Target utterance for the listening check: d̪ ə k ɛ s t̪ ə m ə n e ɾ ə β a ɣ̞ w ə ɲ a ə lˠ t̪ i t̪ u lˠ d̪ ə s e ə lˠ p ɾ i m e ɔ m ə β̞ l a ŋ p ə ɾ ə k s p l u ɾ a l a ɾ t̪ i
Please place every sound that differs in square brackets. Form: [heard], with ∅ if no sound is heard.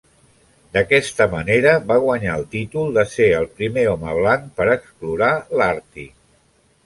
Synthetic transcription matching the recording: d̪ ə k ɛ s t̪ ə m ə n e ɾ ə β a ɣ̞ w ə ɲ a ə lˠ t̪ i t̪ u lˠ d̪ ə s e ə lˠ p ɾ i m e ɔ m ə β̞ l a ŋ p ə ɾ ə k s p l u ɾ a l a ɾ t̪ i